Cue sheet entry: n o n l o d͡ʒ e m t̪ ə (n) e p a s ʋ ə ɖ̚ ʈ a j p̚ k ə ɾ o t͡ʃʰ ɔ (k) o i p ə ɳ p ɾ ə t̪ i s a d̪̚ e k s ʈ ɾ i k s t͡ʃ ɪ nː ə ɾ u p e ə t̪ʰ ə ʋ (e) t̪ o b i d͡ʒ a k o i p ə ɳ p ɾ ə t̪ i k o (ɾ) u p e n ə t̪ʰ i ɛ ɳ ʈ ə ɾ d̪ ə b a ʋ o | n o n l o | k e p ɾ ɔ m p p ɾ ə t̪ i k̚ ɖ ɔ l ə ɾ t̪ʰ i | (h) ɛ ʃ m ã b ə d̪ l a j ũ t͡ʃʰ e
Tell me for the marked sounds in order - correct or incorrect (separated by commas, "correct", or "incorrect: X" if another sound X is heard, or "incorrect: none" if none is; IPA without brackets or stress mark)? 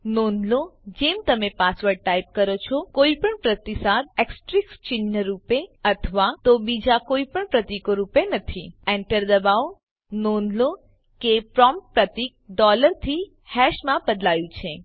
incorrect: m, correct, incorrect: a, correct, correct